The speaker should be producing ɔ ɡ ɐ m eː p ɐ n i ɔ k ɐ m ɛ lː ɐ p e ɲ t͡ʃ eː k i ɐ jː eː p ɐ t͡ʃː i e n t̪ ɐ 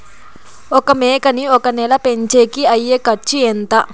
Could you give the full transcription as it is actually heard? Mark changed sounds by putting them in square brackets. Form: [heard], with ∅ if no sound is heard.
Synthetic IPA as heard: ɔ [k] ɐ m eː [k] ɐ n i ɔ k ɐ [n] ɛ [l] ɐ p e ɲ t͡ʃ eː k i ɐ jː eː [k] ɐ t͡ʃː i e n t̪ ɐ